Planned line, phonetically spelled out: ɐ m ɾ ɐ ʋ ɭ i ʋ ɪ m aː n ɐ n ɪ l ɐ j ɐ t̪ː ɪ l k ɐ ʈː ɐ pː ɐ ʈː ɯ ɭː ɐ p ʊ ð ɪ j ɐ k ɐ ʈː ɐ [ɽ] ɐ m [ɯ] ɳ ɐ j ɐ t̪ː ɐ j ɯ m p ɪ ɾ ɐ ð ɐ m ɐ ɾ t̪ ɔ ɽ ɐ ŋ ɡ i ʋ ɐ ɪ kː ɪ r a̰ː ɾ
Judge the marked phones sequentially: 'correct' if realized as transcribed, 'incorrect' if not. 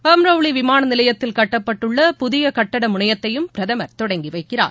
correct, incorrect

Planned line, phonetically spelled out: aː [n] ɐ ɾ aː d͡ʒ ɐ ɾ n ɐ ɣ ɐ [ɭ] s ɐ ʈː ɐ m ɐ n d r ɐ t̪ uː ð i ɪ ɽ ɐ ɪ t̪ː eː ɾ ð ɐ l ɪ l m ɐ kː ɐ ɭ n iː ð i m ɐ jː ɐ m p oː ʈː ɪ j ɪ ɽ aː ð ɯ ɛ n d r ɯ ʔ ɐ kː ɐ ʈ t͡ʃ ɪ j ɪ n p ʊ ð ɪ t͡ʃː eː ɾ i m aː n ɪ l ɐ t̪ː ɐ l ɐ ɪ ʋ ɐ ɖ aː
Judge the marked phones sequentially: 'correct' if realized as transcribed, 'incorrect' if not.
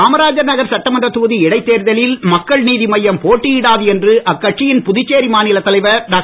incorrect, incorrect

